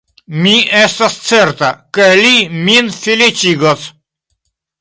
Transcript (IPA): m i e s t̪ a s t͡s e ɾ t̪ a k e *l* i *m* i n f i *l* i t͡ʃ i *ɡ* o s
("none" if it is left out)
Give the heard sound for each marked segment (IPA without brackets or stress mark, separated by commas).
l, m, l, ɡ